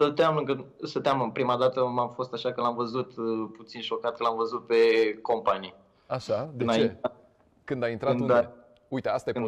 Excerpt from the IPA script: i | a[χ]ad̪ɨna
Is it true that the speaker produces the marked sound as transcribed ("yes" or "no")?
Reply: no